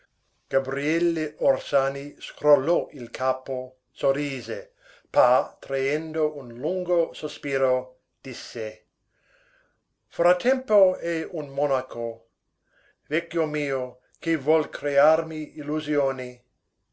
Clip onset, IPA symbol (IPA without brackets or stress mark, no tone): ɡ̥